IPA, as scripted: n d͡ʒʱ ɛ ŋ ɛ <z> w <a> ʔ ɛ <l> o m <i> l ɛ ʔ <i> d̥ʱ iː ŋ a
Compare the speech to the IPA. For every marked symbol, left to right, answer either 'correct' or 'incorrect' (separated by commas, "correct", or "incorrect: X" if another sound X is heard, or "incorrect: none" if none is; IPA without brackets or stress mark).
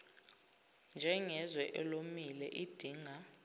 correct, incorrect: ɛ, correct, correct, correct